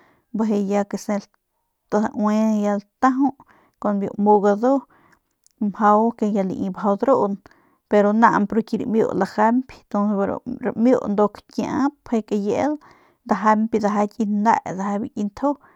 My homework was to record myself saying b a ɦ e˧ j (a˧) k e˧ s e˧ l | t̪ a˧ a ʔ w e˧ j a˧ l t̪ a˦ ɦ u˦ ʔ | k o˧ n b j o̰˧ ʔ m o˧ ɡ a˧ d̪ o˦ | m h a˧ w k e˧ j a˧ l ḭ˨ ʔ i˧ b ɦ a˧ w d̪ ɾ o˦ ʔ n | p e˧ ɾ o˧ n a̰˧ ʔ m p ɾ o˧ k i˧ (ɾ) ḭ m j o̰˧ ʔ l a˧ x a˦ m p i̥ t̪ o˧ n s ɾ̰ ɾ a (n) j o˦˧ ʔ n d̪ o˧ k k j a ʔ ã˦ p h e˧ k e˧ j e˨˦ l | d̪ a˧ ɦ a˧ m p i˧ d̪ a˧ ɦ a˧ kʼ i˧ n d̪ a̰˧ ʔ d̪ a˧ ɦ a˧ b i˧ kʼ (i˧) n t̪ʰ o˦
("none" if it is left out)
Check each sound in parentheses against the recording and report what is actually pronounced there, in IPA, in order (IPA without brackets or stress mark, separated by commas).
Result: a˧, ɾ, m, i˧